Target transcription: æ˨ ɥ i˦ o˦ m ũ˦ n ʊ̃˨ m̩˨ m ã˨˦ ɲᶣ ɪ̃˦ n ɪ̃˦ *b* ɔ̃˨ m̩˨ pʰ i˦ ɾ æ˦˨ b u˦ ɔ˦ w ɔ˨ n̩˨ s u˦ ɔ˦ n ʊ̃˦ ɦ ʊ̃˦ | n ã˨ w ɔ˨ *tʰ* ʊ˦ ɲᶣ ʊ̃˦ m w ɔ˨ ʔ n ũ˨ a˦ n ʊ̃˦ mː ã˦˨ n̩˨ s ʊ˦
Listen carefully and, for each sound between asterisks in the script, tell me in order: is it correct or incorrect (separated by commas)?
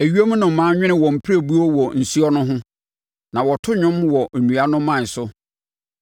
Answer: incorrect, correct